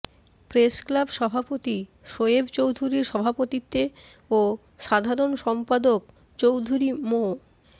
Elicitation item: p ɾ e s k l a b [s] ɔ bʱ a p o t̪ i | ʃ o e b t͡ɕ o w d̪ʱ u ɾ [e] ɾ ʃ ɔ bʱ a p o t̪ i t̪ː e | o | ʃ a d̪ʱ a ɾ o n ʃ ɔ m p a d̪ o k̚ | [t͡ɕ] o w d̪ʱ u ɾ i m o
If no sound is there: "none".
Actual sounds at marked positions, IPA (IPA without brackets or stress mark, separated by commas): ʃ, i, t͡ɕ